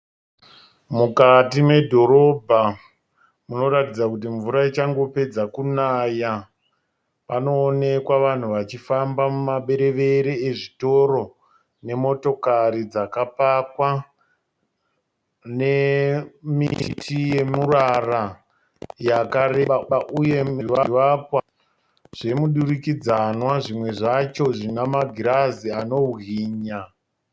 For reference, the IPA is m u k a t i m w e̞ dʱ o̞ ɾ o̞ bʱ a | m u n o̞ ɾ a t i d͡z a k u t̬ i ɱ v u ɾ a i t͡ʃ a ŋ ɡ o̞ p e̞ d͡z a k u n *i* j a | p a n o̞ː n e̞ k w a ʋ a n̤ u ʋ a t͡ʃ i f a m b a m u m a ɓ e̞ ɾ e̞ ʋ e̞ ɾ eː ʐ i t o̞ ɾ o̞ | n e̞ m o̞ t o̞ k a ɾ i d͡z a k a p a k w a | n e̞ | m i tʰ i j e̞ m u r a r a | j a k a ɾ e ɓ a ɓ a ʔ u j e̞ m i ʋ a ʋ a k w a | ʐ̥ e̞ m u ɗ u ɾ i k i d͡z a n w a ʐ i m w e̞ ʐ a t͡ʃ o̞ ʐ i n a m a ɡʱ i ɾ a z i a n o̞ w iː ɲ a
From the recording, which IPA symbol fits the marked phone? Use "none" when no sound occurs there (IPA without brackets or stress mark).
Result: a